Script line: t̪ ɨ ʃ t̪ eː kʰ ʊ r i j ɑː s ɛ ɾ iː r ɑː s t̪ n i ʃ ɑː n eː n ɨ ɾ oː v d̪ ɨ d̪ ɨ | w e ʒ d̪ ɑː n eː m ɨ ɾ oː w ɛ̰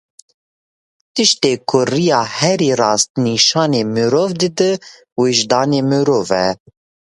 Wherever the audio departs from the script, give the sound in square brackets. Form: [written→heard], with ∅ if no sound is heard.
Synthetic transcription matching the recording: t̪ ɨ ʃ t̪ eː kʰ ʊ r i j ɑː [s→h] ɛ ɾ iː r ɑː s t̪ n i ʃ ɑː n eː [n→m] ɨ ɾ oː v d̪ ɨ d̪ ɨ | w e ʒ d̪ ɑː n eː m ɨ ɾ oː [w→v] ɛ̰